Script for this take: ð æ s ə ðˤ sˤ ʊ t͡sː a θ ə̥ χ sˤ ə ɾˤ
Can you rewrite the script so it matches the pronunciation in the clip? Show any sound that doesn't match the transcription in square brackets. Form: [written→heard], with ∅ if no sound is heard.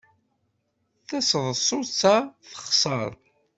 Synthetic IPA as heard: [ð→θ] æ s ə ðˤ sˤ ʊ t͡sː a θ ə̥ χ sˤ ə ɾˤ